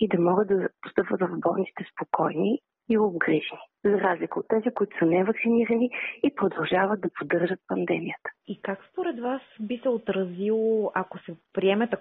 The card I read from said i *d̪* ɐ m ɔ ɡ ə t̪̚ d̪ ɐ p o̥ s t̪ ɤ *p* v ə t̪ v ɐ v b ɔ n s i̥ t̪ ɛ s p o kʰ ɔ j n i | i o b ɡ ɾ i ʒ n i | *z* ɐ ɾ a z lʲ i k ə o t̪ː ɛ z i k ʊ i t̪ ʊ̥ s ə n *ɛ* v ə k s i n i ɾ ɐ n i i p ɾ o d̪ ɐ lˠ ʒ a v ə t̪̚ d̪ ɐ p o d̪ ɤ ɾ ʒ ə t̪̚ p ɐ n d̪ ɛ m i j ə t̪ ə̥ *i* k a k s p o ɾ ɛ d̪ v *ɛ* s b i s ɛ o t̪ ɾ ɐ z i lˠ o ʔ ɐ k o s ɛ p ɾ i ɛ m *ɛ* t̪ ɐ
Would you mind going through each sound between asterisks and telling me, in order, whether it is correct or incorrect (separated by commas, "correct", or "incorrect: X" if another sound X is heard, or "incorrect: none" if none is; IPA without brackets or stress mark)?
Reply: correct, correct, correct, correct, correct, incorrect: a, correct